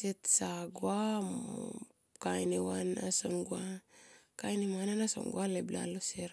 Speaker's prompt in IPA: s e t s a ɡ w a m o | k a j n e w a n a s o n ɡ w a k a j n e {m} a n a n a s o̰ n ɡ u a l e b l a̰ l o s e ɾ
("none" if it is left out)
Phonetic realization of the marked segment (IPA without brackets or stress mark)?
m